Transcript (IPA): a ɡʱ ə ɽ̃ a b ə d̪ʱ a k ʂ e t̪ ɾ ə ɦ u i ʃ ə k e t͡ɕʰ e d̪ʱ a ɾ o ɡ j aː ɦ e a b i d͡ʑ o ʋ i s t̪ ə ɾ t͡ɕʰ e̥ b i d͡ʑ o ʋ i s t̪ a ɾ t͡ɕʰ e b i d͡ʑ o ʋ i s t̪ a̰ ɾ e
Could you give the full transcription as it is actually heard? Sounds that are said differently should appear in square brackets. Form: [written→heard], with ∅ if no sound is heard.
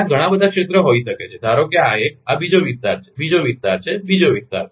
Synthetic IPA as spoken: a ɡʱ ə ɽ̃ a b ə d̪ʱ a k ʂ e t̪ ɾ ə ɦ [u→o] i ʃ ə k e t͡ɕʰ e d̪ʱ a ɾ o ɡ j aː ɦ e a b i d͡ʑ o ʋ i s t̪ [ə→a] ɾ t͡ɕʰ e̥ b i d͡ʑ o ʋ i s t̪ a ɾ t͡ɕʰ e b i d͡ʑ o ʋ i s t̪ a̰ ɾ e